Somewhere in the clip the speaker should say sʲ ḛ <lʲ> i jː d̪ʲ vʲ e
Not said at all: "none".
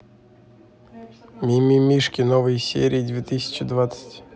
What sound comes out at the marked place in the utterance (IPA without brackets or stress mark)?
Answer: ɾʲ